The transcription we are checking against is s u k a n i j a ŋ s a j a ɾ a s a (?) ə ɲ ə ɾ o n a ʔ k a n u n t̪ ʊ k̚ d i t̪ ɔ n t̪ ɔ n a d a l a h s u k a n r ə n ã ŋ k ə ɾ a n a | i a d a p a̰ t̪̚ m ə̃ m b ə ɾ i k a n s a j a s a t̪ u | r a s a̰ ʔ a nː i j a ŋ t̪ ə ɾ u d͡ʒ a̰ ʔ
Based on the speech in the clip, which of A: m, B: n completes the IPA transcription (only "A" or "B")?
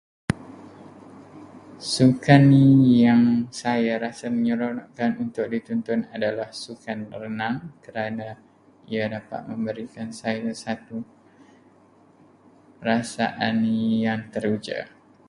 A